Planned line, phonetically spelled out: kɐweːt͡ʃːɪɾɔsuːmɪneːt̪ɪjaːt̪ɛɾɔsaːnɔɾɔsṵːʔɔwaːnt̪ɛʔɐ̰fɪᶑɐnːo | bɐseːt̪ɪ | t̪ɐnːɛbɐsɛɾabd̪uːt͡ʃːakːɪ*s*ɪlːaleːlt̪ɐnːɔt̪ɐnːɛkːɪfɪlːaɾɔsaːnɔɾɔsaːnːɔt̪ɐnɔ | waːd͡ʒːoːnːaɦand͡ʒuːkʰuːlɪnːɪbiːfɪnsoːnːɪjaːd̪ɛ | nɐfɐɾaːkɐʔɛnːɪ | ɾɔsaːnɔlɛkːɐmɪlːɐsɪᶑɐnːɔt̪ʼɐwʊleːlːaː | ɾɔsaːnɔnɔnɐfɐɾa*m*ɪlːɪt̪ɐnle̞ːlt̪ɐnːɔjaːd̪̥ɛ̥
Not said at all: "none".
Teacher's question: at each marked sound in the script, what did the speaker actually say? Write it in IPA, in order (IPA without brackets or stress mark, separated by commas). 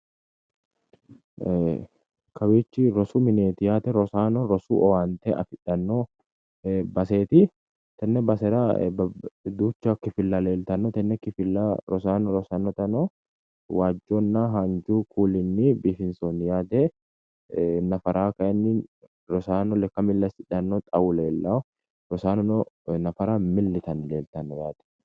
f, m